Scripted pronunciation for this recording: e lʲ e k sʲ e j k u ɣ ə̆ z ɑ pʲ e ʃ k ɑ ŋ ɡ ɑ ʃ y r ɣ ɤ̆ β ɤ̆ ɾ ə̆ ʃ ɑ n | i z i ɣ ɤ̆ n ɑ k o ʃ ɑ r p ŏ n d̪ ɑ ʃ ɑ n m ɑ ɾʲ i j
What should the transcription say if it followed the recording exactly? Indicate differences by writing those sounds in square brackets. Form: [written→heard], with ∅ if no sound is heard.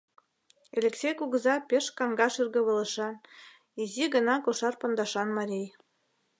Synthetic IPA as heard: e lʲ e k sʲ e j k u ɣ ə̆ z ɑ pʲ e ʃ k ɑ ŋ ɡ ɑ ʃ y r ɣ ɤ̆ β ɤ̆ [ɾ→l] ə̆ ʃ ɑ n | i z i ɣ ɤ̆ n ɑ k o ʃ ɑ r p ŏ n d̪ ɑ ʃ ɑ n m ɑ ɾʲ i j